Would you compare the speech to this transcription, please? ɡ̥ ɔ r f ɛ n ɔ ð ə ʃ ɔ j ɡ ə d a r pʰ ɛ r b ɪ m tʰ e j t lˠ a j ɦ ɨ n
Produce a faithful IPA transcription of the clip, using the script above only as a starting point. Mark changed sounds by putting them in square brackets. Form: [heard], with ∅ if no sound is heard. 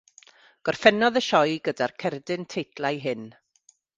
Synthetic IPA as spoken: ɡ̥ ɔ r f ɛ n ɔ ð ə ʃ ɔ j ɡ ə d a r [kʰ] ɛ r [d] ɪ [n] tʰ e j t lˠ a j ɦ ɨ n